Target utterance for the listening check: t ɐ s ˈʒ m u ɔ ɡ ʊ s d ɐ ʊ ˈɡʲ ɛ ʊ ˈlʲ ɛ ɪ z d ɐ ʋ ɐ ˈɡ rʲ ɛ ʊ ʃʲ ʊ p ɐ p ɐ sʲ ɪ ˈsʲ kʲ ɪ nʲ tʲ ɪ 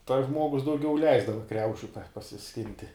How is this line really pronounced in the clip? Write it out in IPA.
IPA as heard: t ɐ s ˈʒ m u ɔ ɡ ʊ s d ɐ ʊ ˈɡʲ ɛ ʊ ˈlʲ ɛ ɪ z d ɐ ʋ ɐ ˈk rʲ ɛ ʊ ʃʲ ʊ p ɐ p ɐ sʲ ɪ ˈsʲ kʲ ɪ nʲ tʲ ɪ